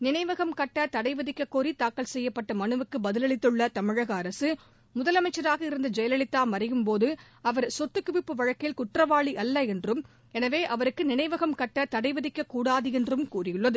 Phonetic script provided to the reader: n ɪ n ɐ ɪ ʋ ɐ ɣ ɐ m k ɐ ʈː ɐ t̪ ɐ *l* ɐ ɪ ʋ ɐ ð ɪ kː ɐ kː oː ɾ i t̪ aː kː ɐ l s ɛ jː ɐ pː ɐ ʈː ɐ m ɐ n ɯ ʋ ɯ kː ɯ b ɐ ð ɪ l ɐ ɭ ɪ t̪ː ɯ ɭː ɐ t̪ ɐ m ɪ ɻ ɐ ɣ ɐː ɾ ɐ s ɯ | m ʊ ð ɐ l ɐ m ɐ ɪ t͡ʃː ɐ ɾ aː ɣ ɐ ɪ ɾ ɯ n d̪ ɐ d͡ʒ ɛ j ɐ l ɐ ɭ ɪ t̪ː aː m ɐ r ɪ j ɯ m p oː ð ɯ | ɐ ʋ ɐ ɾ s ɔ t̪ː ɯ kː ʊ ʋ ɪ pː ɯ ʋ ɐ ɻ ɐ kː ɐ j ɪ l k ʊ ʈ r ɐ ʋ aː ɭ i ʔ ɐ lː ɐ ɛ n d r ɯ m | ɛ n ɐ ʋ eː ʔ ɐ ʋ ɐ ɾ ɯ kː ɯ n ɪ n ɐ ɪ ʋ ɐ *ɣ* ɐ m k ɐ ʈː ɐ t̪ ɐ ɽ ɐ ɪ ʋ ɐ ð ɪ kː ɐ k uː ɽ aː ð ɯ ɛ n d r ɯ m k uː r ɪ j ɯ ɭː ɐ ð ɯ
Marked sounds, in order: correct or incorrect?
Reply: incorrect, correct

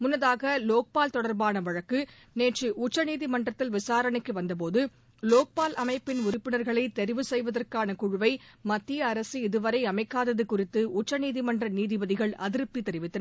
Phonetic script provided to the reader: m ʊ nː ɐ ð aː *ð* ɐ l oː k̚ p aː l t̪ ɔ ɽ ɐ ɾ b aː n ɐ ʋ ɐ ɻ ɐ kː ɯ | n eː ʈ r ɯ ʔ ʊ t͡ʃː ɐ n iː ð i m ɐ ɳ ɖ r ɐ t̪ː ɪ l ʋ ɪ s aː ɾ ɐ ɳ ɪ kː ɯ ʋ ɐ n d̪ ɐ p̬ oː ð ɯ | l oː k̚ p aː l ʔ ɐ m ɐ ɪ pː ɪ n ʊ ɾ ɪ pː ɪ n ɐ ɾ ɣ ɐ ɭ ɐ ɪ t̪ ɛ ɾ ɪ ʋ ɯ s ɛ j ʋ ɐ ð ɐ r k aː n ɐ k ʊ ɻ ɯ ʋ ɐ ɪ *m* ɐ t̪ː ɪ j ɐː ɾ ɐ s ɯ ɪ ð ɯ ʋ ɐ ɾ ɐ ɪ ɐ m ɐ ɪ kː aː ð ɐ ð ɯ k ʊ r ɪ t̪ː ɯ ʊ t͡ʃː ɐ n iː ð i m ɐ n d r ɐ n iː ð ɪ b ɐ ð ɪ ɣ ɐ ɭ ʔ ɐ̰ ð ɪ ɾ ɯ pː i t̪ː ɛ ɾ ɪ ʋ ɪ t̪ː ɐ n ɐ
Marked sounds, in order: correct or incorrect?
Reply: incorrect, correct

